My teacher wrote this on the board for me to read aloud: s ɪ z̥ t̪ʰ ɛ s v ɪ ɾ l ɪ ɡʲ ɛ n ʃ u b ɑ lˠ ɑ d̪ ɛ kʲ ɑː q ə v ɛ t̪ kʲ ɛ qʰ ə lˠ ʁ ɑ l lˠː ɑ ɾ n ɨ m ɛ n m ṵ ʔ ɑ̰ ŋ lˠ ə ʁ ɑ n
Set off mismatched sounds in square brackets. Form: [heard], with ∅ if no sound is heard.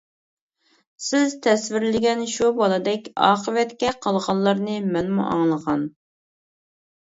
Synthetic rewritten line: s ɪ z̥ t̪ʰ ɛ s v ɪ ɾ l ɪ ɡʲ ɛ n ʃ u b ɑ lˠ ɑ d̪ ɛ kʲ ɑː q ə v ɛ t̪ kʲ ɛ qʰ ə lˠ ʁ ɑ l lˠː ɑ ɾ n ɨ m ɛ n m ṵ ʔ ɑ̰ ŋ lˠ ə ʁ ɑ n